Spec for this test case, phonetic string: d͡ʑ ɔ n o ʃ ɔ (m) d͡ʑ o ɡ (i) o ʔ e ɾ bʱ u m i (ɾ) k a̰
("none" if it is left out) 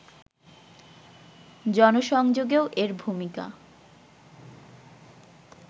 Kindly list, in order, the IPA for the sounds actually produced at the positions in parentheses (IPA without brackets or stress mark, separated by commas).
ŋ, e, none